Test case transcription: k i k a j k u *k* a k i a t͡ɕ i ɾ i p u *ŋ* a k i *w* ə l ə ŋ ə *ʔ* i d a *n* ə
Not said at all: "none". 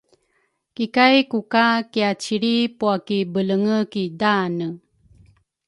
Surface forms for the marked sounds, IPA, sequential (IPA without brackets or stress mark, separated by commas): k, none, b, k, n